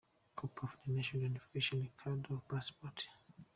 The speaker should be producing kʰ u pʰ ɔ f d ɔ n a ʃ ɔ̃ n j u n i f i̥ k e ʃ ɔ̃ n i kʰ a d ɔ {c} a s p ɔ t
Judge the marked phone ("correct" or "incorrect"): incorrect